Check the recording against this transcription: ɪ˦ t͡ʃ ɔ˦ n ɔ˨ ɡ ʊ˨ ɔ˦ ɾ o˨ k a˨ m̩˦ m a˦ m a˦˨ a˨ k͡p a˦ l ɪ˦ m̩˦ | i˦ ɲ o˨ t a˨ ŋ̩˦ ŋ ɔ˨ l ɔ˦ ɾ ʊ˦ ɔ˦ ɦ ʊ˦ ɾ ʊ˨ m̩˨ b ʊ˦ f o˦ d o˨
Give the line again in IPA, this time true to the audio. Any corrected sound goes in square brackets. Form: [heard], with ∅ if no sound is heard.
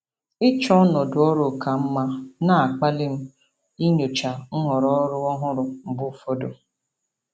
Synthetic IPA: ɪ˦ t͡ʃ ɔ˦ n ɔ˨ [d] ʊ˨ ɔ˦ ɾ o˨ k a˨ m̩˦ m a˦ [n] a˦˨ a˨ k͡p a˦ l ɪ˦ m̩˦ | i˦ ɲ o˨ [t͡ʃ] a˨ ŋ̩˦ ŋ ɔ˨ [ɾ] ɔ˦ ɾ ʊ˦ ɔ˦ ɦ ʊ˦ ɾ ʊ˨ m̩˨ b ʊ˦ f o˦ d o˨

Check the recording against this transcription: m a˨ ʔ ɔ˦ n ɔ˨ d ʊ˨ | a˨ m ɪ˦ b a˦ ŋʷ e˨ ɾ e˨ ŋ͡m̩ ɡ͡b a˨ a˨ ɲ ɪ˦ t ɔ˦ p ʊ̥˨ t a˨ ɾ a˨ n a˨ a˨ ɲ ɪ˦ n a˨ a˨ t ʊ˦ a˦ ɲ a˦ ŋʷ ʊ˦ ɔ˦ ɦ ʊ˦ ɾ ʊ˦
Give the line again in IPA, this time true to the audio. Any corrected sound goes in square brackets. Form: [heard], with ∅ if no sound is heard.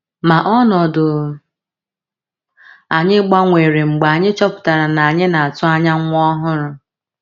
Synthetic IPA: m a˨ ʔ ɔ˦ n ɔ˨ d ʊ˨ | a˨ [ɲ] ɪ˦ [ɡ͡b] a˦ ŋʷ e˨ ɾ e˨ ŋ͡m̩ ɡ͡b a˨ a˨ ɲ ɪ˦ [t͡ʃ] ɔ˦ p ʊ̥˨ t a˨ ɾ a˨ n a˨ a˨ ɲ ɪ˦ n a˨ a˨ t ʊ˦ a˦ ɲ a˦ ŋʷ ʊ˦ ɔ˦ ɦ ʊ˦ ɾ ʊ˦

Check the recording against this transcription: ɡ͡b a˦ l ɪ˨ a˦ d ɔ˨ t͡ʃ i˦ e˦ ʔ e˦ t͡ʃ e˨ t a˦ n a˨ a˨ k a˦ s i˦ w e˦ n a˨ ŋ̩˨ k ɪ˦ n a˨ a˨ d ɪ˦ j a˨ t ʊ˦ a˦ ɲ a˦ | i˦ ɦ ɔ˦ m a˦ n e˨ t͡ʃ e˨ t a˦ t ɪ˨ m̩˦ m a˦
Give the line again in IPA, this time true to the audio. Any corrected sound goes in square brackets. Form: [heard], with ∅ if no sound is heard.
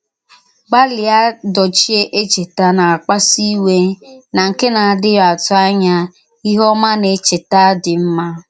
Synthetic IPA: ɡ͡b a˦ l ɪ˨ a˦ d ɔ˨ t͡ʃ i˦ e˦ ʔ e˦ t͡ʃ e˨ t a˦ n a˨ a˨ [k͡p] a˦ s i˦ w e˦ n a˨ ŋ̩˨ k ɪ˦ n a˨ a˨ d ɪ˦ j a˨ t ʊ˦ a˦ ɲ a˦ | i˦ ɦ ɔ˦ m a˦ n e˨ t͡ʃ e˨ t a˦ [d] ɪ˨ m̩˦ m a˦

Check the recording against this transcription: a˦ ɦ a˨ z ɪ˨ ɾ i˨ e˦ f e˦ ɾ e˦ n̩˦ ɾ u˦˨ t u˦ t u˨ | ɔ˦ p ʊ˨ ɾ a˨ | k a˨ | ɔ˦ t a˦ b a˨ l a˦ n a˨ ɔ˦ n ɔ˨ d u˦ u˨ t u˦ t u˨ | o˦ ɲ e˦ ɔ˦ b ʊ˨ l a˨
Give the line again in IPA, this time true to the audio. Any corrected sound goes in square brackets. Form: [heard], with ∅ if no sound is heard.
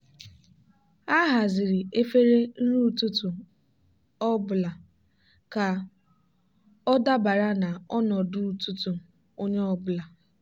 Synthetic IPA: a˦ ɦ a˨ z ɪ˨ ɾ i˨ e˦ f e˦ ɾ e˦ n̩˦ ɾ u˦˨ t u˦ t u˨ | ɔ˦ [b] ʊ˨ [l] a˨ | k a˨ | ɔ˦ [d] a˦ b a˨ [ɾ] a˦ n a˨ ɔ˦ n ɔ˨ d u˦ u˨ t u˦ t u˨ | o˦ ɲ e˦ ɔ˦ b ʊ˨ l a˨

